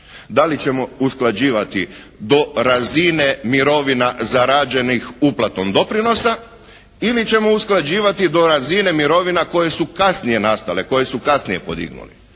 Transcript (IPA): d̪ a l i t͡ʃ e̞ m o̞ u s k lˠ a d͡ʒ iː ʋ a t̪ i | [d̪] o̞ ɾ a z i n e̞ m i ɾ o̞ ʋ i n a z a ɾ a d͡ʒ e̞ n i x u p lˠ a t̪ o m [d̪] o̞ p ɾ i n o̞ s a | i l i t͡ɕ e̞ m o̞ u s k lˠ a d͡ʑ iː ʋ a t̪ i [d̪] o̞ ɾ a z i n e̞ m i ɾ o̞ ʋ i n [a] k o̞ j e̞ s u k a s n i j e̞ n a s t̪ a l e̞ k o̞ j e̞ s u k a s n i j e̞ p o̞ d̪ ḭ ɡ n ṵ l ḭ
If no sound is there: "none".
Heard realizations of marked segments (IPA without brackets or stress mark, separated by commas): d̪, d̪, d̪, a